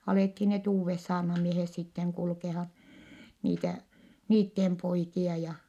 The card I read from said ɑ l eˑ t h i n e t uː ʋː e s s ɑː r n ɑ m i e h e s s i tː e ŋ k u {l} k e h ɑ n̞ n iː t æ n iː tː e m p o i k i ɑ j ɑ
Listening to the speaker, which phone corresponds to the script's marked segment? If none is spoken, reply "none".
l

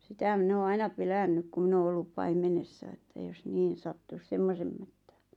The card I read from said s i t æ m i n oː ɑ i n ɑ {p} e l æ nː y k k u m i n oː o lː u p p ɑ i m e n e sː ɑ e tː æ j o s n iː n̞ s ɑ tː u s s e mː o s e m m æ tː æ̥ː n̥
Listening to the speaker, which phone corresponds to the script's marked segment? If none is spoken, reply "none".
p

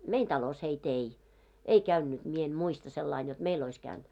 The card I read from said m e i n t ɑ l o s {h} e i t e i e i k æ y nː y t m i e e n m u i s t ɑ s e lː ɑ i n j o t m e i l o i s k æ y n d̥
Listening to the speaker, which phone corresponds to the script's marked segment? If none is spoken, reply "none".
h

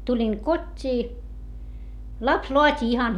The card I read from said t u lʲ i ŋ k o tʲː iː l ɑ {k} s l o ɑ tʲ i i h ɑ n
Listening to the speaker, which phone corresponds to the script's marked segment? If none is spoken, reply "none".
p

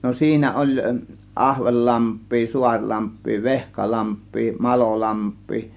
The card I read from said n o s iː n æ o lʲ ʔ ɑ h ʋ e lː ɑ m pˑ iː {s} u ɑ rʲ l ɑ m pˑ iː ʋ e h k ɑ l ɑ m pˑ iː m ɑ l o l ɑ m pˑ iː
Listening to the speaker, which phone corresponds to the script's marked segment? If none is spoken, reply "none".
s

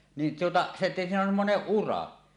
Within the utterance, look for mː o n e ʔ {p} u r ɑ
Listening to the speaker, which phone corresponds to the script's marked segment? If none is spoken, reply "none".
ʔ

